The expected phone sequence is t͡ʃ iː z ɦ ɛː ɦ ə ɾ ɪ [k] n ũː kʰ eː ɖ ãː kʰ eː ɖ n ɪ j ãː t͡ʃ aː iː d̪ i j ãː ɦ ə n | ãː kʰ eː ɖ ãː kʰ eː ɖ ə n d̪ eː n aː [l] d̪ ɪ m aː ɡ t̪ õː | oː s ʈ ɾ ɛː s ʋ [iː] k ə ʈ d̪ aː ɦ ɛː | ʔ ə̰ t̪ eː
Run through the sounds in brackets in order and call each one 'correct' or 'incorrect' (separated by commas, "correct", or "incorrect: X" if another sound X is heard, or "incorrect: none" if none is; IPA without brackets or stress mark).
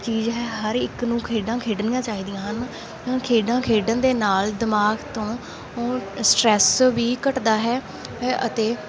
correct, correct, correct